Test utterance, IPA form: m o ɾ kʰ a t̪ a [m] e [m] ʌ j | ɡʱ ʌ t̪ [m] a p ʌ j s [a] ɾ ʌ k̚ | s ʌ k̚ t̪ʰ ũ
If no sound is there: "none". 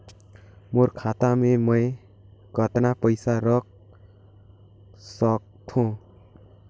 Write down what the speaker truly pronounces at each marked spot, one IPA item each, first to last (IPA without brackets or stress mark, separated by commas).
m, m, n, a